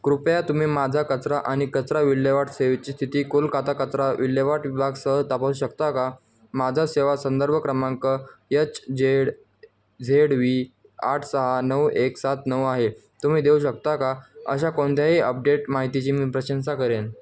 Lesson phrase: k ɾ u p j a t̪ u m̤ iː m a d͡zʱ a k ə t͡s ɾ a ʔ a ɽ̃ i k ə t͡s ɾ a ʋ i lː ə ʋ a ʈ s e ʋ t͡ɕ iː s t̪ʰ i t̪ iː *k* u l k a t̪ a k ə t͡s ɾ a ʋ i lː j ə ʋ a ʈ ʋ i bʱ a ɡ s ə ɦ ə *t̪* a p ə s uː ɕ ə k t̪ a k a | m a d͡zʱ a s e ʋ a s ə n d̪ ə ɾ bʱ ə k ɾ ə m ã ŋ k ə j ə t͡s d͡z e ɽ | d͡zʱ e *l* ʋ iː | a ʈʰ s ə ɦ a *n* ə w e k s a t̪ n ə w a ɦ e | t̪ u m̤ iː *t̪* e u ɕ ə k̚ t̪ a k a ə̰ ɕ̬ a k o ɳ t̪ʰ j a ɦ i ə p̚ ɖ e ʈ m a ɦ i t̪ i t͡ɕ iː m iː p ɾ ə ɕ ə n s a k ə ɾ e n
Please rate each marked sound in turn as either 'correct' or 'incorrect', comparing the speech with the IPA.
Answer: correct, correct, incorrect, correct, incorrect

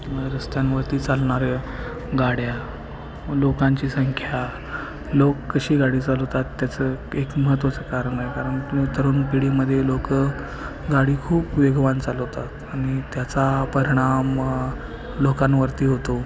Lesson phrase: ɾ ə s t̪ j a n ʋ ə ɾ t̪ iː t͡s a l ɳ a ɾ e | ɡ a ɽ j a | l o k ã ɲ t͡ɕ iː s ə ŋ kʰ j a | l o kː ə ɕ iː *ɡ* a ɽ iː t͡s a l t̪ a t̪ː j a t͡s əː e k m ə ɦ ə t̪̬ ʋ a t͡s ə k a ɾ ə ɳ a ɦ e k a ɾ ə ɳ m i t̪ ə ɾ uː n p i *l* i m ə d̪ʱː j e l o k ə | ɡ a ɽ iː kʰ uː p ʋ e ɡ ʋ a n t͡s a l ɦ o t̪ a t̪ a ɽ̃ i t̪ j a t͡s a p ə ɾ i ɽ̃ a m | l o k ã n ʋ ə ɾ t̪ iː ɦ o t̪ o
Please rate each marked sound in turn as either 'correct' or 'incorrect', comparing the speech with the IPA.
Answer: correct, incorrect

